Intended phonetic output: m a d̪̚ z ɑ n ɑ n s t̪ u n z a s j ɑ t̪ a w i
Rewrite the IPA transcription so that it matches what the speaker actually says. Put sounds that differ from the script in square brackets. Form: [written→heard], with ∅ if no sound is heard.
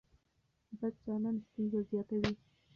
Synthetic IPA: [m→b] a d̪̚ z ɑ n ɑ n s t̪ u n z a [s→z] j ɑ t̪ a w i